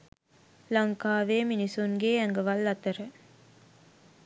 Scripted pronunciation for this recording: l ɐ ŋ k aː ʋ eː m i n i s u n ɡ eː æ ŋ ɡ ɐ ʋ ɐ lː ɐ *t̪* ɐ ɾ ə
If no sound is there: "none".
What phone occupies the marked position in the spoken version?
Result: t̪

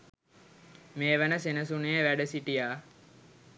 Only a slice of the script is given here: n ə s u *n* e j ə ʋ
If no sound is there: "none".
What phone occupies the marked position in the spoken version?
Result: n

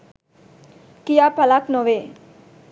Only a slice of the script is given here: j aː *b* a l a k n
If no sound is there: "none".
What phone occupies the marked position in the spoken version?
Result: p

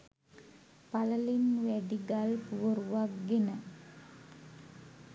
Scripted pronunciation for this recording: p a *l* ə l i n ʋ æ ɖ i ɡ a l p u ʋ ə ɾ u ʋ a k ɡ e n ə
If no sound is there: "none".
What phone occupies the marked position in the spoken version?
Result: l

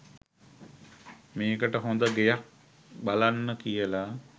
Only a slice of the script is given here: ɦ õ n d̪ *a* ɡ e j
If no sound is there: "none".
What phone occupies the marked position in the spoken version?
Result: ə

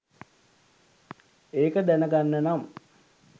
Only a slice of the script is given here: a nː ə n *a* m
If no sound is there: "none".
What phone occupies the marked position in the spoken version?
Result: a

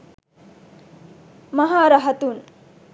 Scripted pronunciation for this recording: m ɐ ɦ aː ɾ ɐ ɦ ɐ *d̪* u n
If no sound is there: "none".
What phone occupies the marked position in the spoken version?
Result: t̪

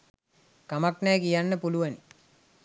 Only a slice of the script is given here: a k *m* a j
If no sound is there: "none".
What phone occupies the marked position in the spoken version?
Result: n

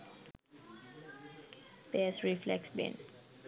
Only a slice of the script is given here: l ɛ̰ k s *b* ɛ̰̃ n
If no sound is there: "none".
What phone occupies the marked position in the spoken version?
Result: b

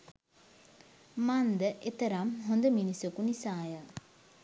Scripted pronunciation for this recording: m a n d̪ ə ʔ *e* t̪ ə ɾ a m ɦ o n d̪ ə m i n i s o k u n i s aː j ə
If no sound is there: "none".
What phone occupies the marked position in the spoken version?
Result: e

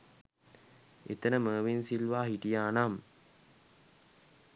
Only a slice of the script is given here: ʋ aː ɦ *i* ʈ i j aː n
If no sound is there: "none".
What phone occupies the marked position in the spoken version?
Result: i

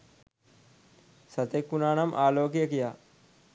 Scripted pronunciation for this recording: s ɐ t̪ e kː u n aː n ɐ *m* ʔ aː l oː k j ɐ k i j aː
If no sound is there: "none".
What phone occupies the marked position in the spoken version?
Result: m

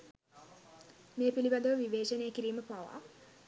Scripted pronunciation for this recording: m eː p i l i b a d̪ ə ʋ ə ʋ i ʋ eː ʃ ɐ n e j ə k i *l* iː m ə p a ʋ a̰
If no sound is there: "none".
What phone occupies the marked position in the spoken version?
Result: ɾ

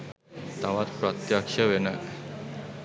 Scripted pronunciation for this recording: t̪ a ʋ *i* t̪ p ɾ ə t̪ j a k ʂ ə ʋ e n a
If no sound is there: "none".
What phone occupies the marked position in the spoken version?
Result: a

